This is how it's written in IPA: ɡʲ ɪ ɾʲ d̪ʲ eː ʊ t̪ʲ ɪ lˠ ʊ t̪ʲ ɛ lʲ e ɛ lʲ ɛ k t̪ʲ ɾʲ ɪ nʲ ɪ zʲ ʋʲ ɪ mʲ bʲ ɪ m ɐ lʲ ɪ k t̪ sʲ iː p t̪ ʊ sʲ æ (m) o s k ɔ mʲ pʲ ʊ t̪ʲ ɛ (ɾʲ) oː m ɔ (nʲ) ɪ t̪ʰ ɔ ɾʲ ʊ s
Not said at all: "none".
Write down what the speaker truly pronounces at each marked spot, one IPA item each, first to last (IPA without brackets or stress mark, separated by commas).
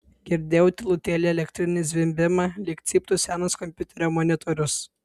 n, ɾʲ, nʲ